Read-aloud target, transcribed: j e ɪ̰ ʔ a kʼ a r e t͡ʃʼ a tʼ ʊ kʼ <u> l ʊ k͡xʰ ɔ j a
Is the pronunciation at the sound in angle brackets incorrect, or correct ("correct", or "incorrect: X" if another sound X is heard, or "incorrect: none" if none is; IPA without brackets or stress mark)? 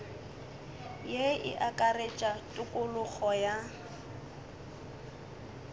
incorrect: ʊ